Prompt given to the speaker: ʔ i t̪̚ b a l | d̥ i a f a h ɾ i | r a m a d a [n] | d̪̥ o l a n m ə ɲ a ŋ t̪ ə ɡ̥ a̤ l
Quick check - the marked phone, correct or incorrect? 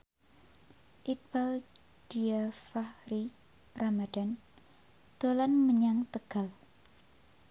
correct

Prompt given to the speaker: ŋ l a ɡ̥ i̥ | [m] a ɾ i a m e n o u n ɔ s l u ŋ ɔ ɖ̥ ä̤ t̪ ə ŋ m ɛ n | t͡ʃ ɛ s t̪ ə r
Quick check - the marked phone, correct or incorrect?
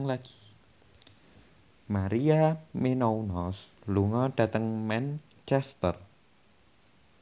correct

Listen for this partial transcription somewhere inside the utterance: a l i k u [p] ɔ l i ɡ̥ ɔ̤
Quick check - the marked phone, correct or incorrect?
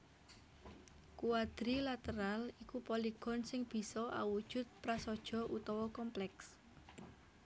correct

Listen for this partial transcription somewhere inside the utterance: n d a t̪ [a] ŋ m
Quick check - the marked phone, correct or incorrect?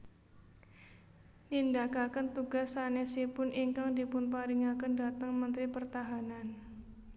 incorrect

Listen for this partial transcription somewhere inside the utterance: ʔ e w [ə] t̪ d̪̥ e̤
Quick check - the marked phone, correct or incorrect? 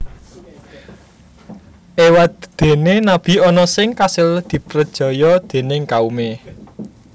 incorrect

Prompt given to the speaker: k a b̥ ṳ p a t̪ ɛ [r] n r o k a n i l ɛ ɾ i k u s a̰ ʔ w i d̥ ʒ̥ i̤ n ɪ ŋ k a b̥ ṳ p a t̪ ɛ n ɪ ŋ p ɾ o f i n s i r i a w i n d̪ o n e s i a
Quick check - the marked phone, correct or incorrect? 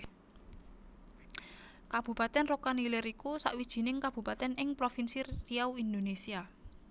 incorrect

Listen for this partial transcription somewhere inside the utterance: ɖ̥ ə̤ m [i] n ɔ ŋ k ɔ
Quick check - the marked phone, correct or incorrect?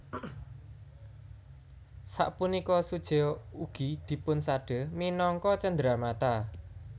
correct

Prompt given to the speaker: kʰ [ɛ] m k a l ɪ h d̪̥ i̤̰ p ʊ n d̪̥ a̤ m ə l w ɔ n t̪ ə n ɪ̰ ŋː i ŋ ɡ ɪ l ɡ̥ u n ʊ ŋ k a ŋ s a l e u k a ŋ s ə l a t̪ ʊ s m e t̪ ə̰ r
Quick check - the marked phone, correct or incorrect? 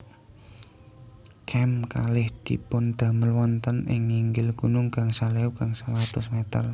correct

